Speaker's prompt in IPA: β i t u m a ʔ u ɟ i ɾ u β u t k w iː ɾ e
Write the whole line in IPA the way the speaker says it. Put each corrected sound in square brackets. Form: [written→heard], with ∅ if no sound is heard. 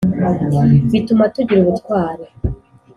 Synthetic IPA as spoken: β i t u m a [ʔ→t] u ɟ i ɾ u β u t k w [iː→aː] ɾ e